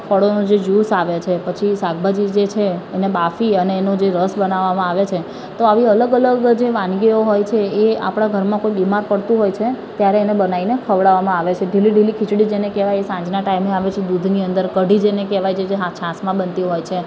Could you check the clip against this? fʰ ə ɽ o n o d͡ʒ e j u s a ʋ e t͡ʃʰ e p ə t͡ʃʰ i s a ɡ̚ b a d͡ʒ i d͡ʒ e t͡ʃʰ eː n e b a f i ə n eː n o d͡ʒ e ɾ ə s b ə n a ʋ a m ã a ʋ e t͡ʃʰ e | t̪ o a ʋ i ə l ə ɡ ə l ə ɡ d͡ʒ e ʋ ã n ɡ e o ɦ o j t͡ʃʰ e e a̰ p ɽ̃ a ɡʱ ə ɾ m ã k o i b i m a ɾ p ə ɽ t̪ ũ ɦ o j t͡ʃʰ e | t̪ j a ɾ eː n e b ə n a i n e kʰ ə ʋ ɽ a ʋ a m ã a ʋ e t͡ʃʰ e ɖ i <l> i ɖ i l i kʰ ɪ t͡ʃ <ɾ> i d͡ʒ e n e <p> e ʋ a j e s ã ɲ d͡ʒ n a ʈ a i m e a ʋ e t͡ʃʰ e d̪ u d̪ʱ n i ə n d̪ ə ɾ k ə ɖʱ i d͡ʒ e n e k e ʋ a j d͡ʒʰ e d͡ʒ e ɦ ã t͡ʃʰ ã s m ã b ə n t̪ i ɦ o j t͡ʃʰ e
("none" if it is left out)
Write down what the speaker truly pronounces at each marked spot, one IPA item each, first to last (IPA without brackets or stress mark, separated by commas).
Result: l, ɽ, k